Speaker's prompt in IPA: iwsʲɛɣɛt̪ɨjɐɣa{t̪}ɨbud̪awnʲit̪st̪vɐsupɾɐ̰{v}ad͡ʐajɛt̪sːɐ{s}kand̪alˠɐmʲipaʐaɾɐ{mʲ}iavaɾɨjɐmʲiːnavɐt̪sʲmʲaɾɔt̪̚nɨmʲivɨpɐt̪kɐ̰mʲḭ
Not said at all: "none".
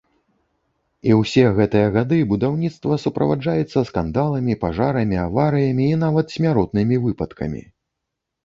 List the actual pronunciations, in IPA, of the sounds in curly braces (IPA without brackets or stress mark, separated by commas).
d̪, v, s, mʲ